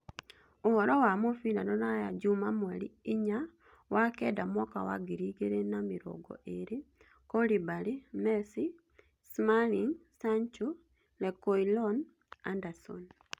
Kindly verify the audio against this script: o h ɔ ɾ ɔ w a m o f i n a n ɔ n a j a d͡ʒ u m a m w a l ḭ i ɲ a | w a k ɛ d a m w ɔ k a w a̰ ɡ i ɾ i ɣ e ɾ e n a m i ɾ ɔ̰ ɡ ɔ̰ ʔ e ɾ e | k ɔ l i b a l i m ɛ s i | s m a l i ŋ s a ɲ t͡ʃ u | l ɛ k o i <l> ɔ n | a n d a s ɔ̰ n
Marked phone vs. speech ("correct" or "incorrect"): correct